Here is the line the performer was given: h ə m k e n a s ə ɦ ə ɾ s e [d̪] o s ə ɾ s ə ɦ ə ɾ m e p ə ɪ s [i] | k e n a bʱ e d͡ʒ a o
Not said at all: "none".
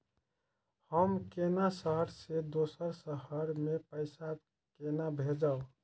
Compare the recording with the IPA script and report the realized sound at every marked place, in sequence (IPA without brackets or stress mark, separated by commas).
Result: d̪, a